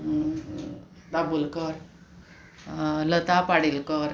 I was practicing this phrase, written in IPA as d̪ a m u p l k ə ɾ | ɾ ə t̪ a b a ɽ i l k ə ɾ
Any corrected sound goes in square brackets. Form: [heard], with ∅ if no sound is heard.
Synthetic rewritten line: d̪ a [b] u [∅] l k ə ɾ | [l] ə t̪ a [p] a ɽ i l k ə ɾ